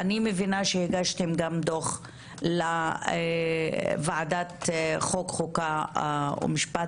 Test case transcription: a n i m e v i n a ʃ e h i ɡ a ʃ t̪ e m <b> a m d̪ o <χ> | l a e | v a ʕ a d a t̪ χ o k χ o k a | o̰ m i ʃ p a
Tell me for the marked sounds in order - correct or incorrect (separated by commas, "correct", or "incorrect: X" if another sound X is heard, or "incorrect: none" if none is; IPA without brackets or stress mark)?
incorrect: ɡ, correct